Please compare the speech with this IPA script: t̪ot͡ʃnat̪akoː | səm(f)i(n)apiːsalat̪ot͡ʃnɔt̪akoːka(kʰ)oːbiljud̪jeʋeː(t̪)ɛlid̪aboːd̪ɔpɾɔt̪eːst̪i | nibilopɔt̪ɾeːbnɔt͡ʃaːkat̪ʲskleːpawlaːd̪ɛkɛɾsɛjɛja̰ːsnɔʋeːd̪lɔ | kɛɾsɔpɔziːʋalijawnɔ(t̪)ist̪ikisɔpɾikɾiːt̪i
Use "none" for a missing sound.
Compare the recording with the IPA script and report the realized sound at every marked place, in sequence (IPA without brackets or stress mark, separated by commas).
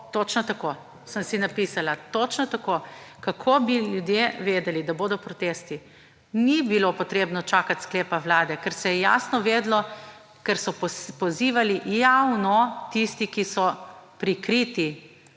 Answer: s, n, kʰ, d̪, t̪